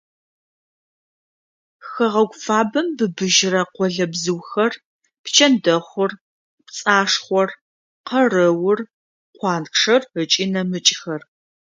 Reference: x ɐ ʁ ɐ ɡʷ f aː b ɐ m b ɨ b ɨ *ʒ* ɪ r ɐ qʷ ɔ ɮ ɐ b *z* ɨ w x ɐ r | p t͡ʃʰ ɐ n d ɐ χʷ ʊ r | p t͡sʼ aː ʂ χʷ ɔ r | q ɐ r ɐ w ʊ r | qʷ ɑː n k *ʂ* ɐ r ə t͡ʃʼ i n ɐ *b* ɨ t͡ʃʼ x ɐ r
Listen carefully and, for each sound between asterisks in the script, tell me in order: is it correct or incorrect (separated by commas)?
correct, correct, correct, incorrect